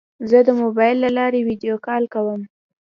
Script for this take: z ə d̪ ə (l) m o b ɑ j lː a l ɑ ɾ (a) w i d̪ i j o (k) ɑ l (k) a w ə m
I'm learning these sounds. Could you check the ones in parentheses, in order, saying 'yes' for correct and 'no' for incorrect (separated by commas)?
no, no, yes, yes